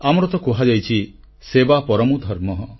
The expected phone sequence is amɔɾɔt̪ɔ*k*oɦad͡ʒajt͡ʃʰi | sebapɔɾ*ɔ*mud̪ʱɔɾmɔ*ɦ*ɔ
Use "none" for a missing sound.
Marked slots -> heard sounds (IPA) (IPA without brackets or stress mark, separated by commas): k, ɔ, ɦ